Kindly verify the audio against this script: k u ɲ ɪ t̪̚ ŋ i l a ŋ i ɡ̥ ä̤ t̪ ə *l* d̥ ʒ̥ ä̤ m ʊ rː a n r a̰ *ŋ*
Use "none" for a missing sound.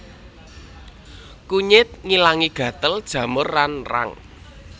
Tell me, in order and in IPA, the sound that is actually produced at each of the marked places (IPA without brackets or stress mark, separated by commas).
l, ŋ